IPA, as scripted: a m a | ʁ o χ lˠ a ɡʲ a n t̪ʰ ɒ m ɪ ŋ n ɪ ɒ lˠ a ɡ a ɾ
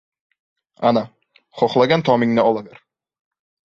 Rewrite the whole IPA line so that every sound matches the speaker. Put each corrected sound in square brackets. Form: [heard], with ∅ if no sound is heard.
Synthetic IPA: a [n] a | [χ] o χ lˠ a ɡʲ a n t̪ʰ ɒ m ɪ ŋ n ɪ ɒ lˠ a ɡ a ɾ